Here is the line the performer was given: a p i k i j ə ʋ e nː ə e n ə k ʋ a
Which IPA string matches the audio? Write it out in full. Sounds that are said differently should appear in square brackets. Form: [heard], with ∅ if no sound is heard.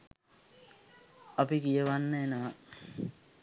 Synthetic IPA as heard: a p i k i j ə ʋ [a] nː ə e n ə [∅] ʋ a